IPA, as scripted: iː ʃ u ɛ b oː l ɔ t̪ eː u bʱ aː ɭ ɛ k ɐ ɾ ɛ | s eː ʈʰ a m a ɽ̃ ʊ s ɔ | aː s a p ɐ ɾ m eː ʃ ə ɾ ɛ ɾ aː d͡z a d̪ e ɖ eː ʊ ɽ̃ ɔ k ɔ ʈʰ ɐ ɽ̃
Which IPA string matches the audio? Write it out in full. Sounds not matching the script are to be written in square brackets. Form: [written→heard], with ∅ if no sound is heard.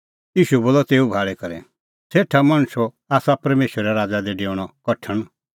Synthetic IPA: iː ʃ u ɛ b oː l ɔ t̪ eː u bʱ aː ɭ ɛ k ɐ ɾ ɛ | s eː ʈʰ a m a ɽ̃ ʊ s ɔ | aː s a p ɐ ɾ m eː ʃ ə ɾ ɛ ɾ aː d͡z a d̪ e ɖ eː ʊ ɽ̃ ɔ k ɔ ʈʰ [ɐ→ə] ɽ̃